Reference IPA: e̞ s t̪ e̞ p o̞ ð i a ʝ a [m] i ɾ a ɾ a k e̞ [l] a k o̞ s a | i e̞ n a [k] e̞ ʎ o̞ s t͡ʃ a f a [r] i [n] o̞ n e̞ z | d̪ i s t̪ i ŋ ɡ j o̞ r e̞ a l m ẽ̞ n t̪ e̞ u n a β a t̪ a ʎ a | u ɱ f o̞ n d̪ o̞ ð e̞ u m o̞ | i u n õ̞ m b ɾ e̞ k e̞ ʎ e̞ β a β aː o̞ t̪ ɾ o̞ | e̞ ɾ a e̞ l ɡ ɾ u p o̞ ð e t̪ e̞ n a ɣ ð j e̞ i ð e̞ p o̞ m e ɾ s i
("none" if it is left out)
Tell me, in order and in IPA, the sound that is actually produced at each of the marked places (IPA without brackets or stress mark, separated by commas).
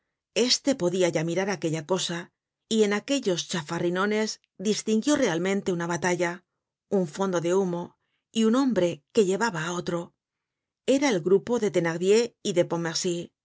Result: m, ʎ, k, r, n